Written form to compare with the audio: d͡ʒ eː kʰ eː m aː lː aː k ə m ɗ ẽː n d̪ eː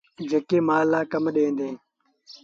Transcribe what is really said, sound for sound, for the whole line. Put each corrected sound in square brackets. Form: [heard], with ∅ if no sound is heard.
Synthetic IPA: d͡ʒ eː [k] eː m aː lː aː k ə m ɗ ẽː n d̪ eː